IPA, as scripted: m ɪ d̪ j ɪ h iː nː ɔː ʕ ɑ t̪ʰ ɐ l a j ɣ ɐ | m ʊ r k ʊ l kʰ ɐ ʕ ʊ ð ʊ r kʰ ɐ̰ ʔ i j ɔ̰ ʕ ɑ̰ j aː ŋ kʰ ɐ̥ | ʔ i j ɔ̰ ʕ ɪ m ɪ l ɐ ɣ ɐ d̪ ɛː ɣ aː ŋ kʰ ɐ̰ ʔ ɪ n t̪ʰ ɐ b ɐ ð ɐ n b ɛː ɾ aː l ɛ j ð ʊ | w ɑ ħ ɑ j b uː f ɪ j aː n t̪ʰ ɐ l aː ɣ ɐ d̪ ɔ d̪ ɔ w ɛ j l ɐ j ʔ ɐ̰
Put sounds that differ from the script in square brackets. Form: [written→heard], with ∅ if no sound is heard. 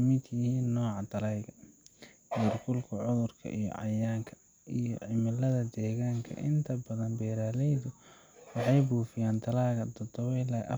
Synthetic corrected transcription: m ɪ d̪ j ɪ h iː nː ɔː ʕ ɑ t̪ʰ ɐ l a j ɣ ɐ | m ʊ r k ʊ l kʰ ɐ ʕ ʊ ð ʊ r kʰ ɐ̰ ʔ i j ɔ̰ ʕ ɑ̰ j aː ŋ kʰ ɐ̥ | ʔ i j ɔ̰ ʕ ɪ m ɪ l ɐ [ɣ→ð] ɐ d̪ ɛː ɣ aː ŋ kʰ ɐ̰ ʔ ɪ n t̪ʰ ɐ b ɐ ð ɐ n b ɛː ɾ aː l ɛ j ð ʊ | w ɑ ħ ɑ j b uː f ɪ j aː n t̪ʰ ɐ l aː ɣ ɐ d̪ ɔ d̪ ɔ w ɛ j l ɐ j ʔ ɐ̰